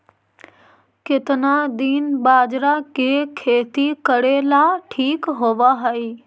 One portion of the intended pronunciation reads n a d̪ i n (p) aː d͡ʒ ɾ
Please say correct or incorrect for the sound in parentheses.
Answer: incorrect